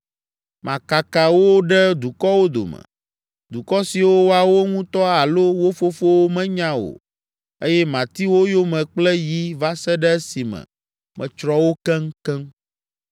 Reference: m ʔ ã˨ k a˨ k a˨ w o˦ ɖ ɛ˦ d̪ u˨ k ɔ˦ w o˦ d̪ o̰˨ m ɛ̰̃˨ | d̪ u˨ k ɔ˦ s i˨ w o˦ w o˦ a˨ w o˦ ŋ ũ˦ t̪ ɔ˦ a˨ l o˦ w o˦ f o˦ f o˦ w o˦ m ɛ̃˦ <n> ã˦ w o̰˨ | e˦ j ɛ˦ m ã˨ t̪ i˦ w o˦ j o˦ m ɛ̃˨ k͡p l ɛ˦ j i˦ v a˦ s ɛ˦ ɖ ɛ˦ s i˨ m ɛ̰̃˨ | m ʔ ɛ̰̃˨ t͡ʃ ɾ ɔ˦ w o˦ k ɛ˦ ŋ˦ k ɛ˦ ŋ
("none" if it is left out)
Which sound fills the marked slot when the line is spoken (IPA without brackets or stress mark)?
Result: ɲ